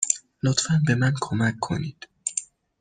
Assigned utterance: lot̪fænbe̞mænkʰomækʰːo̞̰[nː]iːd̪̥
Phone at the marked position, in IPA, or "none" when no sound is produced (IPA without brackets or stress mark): n